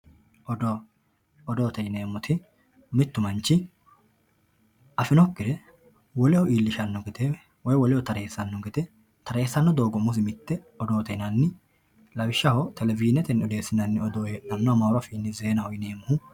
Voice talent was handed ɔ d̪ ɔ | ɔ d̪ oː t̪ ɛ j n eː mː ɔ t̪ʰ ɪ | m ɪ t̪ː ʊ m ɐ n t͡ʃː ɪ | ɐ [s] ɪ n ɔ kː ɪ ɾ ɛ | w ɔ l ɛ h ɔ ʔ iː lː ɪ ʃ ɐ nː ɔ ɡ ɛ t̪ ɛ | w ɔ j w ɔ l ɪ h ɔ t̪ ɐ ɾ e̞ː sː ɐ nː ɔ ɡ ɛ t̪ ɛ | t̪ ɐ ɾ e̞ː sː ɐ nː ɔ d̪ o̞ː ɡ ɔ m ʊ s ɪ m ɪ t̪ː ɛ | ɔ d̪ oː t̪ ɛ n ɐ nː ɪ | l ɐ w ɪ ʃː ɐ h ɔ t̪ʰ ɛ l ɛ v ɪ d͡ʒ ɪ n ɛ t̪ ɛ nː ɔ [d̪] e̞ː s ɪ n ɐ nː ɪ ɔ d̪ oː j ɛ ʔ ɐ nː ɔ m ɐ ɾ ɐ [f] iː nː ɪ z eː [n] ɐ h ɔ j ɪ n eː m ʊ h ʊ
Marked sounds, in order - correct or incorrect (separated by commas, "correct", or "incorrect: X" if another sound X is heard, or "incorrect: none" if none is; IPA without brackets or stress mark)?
incorrect: f, correct, correct, correct